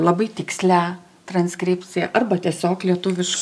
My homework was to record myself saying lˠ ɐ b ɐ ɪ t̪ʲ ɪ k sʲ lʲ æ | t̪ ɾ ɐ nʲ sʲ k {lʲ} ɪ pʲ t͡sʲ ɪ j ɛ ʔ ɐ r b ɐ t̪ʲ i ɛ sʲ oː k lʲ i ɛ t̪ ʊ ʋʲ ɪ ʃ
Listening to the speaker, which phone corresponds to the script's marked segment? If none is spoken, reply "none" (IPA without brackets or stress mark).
ɾʲ